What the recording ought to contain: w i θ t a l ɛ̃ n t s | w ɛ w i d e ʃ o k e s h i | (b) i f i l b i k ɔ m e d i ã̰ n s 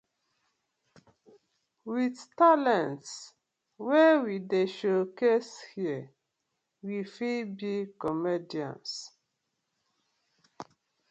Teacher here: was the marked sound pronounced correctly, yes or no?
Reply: no